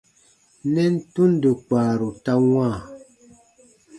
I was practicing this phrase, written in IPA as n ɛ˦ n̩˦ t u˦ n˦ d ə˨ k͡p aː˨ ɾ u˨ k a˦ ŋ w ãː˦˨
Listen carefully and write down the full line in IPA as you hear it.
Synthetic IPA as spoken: n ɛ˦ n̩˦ t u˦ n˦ d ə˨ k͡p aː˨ ɾ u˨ t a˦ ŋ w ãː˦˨